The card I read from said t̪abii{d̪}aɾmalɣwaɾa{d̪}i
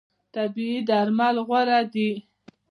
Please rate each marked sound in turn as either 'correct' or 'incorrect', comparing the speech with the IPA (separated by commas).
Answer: correct, correct